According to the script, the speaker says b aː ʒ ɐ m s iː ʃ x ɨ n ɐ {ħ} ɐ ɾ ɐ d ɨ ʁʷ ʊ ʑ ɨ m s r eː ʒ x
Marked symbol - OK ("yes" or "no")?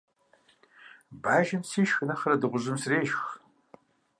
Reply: no